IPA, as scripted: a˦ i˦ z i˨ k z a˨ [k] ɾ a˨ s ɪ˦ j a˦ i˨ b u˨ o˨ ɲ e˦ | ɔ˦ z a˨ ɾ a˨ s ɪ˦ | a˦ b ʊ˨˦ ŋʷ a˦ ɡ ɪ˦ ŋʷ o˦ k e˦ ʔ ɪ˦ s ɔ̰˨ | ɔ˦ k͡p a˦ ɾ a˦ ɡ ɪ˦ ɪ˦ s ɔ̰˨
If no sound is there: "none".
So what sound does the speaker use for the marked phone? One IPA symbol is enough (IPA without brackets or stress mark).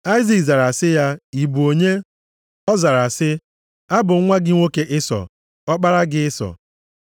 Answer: none